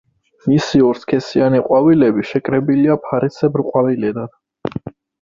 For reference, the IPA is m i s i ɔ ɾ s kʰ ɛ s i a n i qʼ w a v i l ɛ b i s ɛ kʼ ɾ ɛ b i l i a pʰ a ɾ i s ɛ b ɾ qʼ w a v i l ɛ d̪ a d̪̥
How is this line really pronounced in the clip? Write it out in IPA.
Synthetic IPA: m i s i ɔ ɾ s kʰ ɛ s i a n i qʼ w a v i l ɛ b i ʃ ɛ kʼ ɾ ɛ b i l i a pʰ a ɾ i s ɛ b ɾ qʼ w a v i l ɛ d̪ a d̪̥